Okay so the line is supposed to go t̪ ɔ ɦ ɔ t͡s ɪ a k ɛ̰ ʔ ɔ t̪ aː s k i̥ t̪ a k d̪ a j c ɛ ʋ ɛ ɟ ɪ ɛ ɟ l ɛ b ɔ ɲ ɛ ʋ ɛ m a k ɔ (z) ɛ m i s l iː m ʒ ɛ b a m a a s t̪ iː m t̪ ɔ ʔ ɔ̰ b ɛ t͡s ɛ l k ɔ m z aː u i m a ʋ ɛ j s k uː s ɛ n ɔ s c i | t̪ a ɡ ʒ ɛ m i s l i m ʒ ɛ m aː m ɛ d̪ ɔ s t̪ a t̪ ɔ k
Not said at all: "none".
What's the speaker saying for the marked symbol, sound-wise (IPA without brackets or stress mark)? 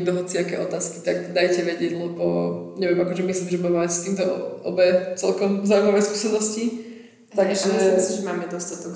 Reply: ʒ